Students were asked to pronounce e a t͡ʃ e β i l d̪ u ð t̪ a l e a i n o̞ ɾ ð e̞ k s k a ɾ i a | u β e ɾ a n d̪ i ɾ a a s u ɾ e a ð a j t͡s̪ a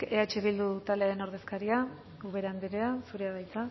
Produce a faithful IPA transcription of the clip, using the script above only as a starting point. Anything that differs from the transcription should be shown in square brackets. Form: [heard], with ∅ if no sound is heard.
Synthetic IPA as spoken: e a t͡ʃ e β i l d̪ u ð t̪ a l e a [e] n o̞ ɾ ð e̞ [∅] s k a ɾ i a | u β e ɾ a n d̪ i ɾ [e] a s u ɾ e a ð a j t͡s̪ a

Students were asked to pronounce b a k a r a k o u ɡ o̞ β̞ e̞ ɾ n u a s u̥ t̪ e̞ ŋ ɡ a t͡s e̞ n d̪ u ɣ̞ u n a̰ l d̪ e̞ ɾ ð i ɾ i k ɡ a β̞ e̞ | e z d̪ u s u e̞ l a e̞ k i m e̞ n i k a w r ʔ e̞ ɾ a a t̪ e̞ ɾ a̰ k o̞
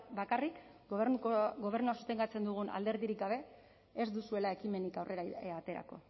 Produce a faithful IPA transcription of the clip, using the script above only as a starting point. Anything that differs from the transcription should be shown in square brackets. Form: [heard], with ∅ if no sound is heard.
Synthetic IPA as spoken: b a k a r [i] k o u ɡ o̞ β̞ e̞ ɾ n u a s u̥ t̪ e̞ ŋ ɡ a t͡s e̞ n d̪ u ɣ̞ u n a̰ l d̪ e̞ ɾ ð i ɾ i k ɡ a β̞ e̞ | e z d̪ u s u e̞ l a e̞ k i m e̞ n i k a w r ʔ e̞ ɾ a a t̪ e̞ ɾ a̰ k o̞

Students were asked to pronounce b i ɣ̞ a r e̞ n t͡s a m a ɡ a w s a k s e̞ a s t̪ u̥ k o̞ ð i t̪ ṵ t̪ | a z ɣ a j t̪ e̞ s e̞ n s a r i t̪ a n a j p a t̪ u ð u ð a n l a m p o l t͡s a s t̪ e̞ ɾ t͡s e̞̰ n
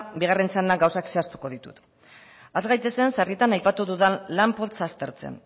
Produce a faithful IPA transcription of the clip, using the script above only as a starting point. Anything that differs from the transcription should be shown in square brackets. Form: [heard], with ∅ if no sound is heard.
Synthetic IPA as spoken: b i ɣ̞ a r e̞ n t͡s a [n] a ɡ a w s a k s e̞ a s t̪ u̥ k o̞ ð i t̪ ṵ t̪ | a z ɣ a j t̪ e̞ s e̞ n s a r i t̪ a n a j p a t̪ u ð u ð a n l a m p o l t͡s a s t̪ e̞ ɾ t͡s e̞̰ n

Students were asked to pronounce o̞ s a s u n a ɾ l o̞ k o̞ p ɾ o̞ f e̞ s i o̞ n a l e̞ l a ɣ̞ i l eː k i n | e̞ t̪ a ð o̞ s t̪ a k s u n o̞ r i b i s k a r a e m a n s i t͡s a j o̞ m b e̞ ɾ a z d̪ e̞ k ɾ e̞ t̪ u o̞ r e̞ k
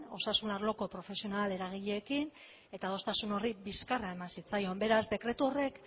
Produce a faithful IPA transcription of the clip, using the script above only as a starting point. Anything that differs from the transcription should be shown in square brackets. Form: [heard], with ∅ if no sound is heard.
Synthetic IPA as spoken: o̞ s a s u n a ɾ l o̞ k o̞ p ɾ o̞ f e̞ s i o̞ n a l e̞ [ɾ] a ɣ̞ i [ʎ] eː k i n | e̞ t̪ a ð o̞ s t̪ a [∅] s u n o̞ r i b i s k a r a e m a n s i t͡s a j o̞ m b e̞ ɾ a z d̪ e̞ k ɾ e̞ t̪ u o̞ r e̞ k

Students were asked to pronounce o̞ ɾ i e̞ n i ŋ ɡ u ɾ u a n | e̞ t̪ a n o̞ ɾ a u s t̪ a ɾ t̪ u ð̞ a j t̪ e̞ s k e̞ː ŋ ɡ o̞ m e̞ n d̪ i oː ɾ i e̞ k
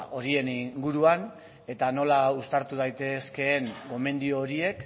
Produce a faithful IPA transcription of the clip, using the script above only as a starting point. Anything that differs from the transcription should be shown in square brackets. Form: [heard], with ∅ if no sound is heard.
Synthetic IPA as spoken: o̞ ɾ i e̞ n i ŋ ɡ u ɾ u a n | e̞ t̪ a n o̞ [l] a u s t̪ a ɾ t̪ u ð̞ a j t̪ e̞ s k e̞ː ŋ ɡ o̞ m e̞ n d̪ i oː ɾ i e̞ k

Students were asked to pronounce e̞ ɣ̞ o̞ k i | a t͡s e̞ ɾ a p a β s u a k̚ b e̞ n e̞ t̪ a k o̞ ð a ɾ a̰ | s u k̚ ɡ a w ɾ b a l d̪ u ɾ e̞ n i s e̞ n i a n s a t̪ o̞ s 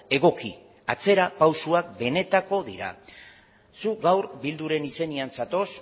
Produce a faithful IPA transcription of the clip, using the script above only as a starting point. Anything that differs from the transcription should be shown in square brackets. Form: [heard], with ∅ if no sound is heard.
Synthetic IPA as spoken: e̞ ɣ̞ o̞ k i | a t͡s e̞ ɾ a p a [w] s u a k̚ b e̞ n e̞ t̪ a k o̞ ð [i] ɾ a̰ | s u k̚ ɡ a w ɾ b [i] l d̪ u ɾ e̞ n i s e̞ n i a n s a t̪ o̞ s

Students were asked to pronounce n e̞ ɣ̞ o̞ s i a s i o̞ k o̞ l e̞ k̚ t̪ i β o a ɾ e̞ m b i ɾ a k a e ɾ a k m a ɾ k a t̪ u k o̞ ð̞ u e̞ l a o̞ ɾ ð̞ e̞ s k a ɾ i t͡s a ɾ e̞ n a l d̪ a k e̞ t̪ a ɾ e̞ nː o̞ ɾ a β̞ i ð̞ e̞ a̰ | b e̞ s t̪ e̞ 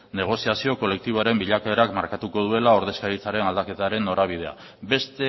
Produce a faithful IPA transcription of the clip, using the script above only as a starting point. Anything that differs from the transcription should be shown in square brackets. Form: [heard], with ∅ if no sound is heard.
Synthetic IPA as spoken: n e̞ ɣ̞ o̞ s i a s i o̞ k o̞ l e̞ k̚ t̪ i β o a ɾ e̞ m b i [ʎ] a k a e ɾ a k m a ɾ k a t̪ u k o̞ ð̞ u e̞ l a o̞ ɾ ð̞ e̞ s k a ɾ i t͡s a ɾ e̞ n a l d̪ a k e̞ t̪ a ɾ e̞ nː o̞ ɾ a β̞ i ð̞ e̞ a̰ | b e̞ s t̪ e̞

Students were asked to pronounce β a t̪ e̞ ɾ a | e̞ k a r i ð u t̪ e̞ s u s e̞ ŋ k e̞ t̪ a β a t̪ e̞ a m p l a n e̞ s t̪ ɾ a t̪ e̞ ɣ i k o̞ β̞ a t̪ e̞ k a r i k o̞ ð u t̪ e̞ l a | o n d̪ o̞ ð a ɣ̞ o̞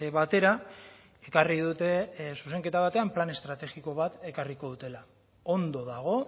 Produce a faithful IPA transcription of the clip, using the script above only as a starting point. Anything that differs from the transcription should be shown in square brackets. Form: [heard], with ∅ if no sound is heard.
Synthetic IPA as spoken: β a t̪ e̞ ɾ a | e̞ k a r i ð u t̪ e̞ s u s e̞ ŋ k e̞ t̪ a β a t̪ e̞ a m p l a n e̞ s t̪ ɾ a t̪ e̞ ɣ i k o̞ β̞ a t̪ e̞ k a r i k o̞ ð u t̪ e̞ l a | o n d̪ o̞ ð a ɣ̞ o̞

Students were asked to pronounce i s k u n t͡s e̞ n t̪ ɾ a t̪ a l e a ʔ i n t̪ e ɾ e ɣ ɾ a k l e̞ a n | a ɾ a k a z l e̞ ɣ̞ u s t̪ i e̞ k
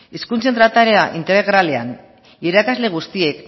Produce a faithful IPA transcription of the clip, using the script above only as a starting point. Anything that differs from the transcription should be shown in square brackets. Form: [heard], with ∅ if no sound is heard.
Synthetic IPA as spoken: i s k u n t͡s e̞ n t̪ ɾ a t̪ a [ɾ] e a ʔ i n t̪ e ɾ e ɣ ɾ a [∅] l e̞ a n | [i] ɾ a k a z l e̞ ɣ̞ u s t̪ i e̞ k

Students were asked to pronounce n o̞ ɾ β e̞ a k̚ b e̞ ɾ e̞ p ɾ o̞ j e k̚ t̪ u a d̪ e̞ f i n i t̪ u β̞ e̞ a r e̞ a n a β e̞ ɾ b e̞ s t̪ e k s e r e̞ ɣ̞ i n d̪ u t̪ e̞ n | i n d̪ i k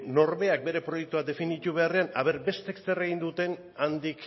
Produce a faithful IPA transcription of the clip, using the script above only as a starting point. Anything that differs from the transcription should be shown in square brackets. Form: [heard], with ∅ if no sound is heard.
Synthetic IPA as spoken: n o̞ ɾ β e̞ a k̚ b e̞ ɾ e̞ p ɾ o̞ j e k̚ t̪ u a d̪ e̞ f i n i t̪ u β̞ e̞ a r e̞ a n a β e̞ ɾ b e̞ s t̪ e k s e r e̞ ɣ̞ i n d̪ u t̪ e̞ n | [a] n d̪ i k

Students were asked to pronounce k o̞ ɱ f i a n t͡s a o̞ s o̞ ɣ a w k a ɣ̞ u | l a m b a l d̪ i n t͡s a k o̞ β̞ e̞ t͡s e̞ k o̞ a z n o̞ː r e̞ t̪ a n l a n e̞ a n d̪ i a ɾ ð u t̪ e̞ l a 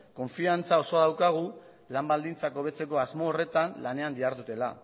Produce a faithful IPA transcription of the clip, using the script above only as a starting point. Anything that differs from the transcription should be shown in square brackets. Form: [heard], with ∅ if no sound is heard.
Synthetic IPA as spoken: k o̞ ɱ f i a n t͡s a o̞ s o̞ [ð] a w k a ɣ̞ u | l a m b a l d̪ i n t͡s a k o̞ β̞ e̞ t͡s e̞ k o̞ a z [m] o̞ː r e̞ t̪ a n l a n e̞ a n d̪ i a ɾ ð u t̪ e̞ l a

